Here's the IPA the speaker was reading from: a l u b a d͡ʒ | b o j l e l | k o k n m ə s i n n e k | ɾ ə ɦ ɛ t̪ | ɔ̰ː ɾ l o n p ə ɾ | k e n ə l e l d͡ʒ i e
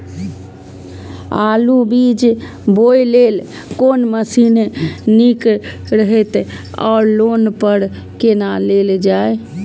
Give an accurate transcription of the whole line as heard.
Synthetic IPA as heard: a l u b i d͡ʒ | b o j l e l | k o n m ə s i n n i k | ɾ ə ɦ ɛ t̪ | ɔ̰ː ɾ l o n p ə ɾ | k e n a l e l d͡ʒ a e